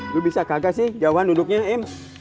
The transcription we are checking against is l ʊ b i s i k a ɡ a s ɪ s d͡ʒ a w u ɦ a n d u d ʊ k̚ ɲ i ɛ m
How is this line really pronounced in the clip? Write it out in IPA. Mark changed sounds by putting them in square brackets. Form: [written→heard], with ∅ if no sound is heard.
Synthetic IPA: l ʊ b i s [i→a] k a ɡ a s ɪ [s→h] d͡ʒ a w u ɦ a n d u d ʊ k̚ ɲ [i→a] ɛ m